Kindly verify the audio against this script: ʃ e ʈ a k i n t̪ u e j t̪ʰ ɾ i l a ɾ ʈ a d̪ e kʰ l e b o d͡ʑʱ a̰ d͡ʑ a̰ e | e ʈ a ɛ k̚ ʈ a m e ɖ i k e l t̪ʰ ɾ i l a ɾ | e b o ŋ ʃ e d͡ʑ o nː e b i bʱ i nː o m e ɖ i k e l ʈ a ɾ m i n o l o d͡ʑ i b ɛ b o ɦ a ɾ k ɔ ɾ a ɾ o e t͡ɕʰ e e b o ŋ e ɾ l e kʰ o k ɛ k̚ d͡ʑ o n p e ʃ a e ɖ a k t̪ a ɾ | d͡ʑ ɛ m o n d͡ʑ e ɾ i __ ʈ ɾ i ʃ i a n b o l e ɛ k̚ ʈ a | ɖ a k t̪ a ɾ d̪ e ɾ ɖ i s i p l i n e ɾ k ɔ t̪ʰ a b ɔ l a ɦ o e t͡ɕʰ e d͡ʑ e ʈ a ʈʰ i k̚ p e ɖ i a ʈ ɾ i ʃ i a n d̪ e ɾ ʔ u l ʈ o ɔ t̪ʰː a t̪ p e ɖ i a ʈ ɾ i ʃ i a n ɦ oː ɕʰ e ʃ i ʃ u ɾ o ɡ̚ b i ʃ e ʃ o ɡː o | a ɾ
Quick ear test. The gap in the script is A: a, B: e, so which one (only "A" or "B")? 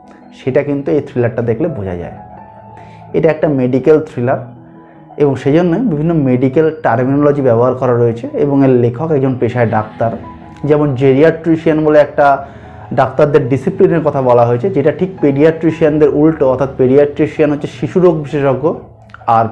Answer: A